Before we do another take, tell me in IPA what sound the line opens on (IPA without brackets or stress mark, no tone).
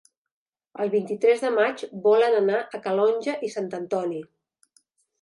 ə